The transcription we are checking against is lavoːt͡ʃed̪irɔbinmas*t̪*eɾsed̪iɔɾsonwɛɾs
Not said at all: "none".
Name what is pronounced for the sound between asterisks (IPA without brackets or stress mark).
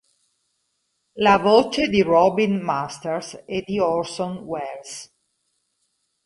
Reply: t̪